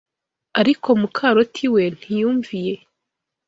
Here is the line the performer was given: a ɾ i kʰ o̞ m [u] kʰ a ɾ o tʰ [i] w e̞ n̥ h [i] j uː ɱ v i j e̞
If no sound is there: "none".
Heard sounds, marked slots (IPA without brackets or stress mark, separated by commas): u, i, i